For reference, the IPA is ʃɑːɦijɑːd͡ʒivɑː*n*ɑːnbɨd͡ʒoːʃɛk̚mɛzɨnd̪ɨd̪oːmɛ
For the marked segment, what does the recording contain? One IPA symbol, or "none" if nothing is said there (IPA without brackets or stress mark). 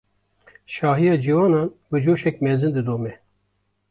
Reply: n